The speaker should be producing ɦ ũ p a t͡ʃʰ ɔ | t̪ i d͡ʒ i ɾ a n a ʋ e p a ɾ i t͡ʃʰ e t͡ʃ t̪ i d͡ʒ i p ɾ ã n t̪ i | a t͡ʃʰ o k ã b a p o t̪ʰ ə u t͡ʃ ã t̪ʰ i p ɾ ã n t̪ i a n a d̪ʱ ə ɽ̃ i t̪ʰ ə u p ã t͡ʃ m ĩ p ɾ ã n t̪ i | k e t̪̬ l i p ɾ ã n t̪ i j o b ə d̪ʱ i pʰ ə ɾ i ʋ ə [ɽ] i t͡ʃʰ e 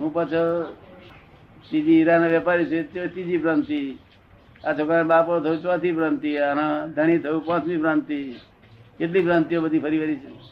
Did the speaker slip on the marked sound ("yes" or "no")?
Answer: yes